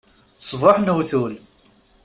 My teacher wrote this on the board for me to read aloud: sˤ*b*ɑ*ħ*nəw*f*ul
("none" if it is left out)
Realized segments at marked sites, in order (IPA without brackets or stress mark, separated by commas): v, ħ, θ